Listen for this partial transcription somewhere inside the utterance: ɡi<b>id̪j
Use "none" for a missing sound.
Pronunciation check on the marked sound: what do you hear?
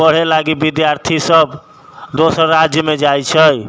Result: b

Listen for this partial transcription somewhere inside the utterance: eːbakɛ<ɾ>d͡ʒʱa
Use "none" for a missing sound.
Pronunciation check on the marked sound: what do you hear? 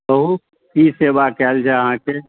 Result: l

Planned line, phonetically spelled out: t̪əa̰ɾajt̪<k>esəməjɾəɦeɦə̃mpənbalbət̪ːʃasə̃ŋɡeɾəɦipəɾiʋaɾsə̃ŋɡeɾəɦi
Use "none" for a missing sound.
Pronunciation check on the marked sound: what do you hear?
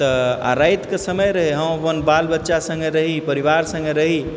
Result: k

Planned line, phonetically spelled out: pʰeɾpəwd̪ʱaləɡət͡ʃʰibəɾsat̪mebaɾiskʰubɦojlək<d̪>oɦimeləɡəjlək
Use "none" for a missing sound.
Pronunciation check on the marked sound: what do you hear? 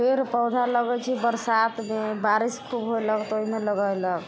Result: t̪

